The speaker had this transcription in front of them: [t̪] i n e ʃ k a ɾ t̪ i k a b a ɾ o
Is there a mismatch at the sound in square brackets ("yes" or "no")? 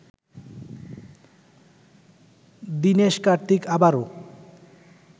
yes